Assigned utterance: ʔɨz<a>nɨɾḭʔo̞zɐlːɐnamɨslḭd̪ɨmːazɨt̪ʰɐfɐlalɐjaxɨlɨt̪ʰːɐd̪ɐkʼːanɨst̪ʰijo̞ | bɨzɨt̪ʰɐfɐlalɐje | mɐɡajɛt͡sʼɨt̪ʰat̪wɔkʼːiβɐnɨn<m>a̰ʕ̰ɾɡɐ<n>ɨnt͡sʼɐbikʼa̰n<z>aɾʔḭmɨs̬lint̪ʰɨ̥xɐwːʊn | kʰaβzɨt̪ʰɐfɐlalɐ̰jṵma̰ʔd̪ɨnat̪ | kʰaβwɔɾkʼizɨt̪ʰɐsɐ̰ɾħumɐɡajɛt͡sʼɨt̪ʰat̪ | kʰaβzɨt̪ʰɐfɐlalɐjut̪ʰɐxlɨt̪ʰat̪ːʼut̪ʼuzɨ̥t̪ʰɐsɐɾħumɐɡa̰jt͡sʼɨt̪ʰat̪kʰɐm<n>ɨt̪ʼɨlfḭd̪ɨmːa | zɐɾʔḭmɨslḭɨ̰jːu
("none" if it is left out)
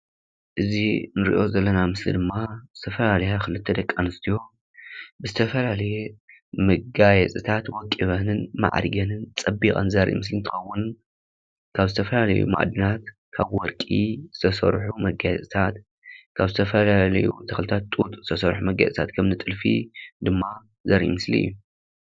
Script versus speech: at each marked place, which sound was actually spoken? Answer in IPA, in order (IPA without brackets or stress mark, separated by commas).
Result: i, m, n, z, n